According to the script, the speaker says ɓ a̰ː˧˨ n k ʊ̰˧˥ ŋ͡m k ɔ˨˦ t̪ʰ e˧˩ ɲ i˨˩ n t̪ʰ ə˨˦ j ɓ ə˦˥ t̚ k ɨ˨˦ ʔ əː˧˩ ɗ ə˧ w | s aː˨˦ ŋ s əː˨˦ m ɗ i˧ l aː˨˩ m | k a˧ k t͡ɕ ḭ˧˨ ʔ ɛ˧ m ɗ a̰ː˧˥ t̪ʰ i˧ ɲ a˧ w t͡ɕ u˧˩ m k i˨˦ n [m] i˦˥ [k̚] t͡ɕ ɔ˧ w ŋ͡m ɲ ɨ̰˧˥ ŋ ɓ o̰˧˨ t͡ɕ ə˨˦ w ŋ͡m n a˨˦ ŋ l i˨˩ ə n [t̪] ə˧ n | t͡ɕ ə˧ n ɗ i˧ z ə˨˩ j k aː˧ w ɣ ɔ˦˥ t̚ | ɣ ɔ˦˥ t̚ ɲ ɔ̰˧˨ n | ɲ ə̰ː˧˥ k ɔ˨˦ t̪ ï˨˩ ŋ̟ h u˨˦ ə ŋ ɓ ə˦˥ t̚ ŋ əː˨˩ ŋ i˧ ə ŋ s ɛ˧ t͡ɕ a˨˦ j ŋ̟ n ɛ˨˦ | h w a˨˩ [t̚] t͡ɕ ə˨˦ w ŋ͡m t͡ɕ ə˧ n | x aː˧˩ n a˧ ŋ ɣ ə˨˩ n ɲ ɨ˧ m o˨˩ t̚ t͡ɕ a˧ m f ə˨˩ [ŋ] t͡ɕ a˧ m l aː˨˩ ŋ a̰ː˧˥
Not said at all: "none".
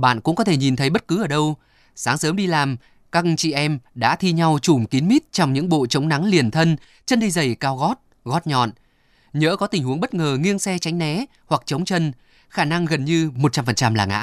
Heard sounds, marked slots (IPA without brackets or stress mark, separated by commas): m, t̚, t̪ʰ, k̚, n